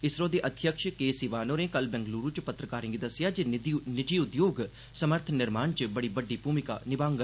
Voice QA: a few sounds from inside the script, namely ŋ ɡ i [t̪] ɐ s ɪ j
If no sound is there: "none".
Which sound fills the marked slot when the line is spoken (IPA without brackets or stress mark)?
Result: d̪